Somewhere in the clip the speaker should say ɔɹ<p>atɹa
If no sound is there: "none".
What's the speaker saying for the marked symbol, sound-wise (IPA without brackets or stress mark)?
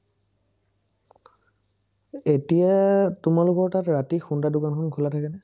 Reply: t